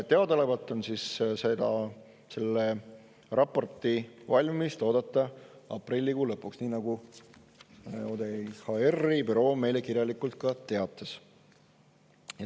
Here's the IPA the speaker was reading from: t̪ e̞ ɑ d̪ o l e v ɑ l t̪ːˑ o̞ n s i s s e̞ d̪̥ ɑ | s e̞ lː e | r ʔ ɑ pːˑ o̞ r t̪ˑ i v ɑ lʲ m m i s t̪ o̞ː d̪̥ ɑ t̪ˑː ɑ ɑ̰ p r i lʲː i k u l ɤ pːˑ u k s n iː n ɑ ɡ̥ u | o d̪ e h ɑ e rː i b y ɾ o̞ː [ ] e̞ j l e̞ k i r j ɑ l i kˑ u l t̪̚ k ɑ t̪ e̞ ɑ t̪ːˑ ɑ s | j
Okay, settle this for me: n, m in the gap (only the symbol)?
m